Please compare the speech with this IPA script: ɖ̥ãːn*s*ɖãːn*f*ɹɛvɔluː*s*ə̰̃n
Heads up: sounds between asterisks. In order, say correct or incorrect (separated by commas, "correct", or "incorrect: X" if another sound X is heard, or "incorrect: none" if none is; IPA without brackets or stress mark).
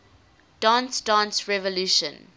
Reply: correct, incorrect: s, incorrect: ʃ